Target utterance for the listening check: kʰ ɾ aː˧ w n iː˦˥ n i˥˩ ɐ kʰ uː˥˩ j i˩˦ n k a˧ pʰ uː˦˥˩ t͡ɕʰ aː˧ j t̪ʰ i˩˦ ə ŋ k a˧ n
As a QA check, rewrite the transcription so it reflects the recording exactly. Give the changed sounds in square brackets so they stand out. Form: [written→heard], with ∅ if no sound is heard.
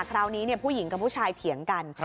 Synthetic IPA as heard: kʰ ɾ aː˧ w n iː˦˥ n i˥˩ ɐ [kʰ→pʰ] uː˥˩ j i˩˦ [n→ŋ] k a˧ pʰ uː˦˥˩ t͡ɕʰ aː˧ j t̪ʰ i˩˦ ə ŋ k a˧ n